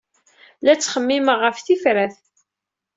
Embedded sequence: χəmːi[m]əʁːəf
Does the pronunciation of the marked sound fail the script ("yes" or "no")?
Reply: no